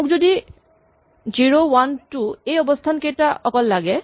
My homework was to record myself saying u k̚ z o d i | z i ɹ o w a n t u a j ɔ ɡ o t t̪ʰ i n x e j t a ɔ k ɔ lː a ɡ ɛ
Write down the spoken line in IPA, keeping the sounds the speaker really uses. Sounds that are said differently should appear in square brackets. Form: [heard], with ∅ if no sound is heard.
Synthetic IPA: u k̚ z o d i | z i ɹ o w a n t u [e] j ɔ [b] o [s] t̪ʰ [a] n [k] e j t a ɔ k ɔ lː a ɡ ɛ